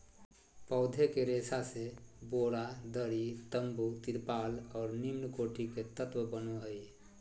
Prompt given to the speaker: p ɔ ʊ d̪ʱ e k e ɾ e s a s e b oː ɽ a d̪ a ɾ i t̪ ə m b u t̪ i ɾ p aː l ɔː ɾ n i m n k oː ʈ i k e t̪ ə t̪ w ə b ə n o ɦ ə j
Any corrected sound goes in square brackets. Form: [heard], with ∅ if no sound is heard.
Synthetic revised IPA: p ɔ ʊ d̪ʱ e k e ɾ e s a s e b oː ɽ a d̪ [ə] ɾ i t̪ ə m b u t̪ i ɾ p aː l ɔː ɾ n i m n k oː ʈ i k e t̪ ə t̪ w ə b ə n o ɦ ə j